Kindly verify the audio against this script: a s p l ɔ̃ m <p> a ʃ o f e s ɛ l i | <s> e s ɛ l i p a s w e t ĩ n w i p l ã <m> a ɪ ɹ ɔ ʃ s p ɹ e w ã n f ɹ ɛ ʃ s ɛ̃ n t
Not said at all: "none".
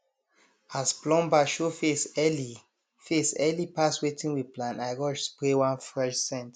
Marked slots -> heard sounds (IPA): b, f, n

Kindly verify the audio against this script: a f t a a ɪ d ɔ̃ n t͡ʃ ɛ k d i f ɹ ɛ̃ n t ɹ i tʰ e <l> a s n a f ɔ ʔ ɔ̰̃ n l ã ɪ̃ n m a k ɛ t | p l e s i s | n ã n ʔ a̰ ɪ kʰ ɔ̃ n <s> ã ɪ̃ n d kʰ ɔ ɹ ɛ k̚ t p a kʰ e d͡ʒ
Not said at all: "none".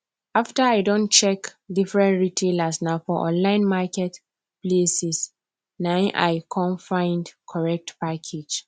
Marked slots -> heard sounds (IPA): l, f

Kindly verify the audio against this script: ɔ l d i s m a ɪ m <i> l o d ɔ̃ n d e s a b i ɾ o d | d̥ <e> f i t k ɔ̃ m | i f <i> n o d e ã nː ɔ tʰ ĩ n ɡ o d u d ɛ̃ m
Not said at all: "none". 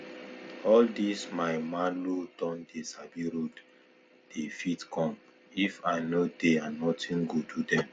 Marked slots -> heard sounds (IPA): a, e, a

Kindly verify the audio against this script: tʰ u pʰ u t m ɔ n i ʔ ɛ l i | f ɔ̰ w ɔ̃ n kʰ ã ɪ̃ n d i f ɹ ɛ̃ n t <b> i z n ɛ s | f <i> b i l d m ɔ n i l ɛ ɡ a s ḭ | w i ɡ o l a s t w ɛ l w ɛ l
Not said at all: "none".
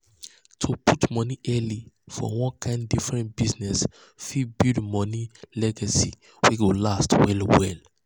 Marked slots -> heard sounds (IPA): b, i

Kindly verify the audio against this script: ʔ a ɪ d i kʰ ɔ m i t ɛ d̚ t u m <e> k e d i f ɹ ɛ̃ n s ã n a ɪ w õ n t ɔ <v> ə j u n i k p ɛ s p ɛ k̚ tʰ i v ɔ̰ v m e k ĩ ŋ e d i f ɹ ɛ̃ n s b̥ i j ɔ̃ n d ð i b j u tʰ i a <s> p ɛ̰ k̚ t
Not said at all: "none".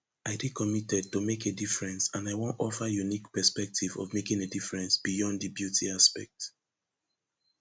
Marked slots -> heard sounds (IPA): e, f, s

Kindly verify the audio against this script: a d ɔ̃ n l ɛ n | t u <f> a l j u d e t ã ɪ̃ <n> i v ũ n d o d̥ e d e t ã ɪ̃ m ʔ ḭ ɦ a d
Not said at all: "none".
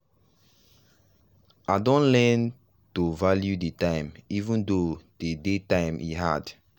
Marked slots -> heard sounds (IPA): v, m

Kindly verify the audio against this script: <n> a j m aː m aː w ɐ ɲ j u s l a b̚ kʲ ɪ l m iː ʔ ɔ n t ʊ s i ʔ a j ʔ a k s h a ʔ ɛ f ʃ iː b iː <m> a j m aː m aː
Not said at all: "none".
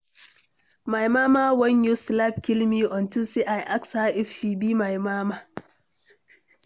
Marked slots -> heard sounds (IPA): m, m

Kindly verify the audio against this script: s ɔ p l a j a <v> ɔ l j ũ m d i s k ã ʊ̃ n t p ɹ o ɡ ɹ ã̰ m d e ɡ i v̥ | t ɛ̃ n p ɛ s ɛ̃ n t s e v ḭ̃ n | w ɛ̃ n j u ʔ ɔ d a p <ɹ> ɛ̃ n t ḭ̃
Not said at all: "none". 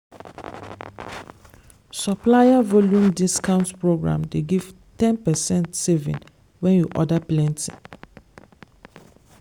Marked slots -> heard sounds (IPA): v, l

